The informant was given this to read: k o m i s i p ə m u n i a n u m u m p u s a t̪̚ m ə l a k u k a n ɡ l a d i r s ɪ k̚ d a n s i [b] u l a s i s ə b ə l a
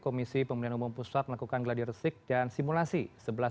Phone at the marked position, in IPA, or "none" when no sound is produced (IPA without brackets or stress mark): m